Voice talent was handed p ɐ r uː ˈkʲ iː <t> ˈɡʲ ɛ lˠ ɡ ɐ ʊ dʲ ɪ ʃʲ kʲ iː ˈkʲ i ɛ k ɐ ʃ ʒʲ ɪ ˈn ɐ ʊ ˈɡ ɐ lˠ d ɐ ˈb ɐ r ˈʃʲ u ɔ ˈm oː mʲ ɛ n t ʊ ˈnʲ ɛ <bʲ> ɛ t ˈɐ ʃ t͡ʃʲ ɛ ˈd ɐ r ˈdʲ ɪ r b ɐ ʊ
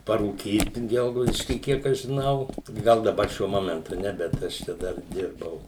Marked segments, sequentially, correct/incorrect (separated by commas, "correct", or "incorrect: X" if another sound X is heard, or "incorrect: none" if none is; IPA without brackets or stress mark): correct, correct